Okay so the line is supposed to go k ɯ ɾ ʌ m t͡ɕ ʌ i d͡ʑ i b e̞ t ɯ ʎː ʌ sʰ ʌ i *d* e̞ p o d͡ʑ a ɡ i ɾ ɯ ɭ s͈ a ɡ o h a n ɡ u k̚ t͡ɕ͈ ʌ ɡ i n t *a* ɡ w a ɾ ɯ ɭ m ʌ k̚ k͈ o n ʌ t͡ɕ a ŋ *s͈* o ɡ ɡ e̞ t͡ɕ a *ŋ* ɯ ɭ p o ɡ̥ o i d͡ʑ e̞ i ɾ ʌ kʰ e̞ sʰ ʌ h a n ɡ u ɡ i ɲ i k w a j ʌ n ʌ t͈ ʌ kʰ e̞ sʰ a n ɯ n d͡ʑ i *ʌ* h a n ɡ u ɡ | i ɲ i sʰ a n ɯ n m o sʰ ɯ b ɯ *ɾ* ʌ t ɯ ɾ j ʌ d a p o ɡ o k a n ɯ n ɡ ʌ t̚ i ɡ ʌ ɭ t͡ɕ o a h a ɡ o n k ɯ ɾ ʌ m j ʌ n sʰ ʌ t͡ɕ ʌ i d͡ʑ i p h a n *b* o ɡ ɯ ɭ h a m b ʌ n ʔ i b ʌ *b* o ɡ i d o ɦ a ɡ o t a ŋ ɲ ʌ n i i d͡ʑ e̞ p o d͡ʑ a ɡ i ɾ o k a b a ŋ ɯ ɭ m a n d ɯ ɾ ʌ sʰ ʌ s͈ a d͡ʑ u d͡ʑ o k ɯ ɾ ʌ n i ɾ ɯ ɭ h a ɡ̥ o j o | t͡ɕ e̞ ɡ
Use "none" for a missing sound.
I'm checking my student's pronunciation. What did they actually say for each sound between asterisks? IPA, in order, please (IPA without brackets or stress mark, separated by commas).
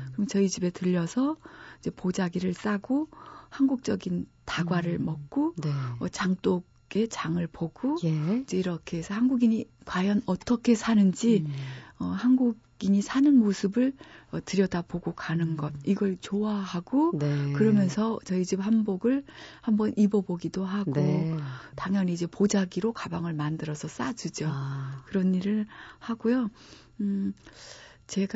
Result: d͡ʑ, a, t͈, ŋ, ʌ, ɭ, b, b